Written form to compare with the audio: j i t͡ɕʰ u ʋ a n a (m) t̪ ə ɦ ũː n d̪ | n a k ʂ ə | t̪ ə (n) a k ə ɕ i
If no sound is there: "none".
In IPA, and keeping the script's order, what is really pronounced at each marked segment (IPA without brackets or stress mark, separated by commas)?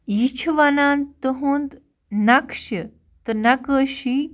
n, n